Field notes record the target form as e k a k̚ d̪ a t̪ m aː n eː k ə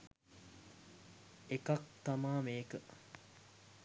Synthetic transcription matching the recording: e k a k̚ t̪ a m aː m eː k ə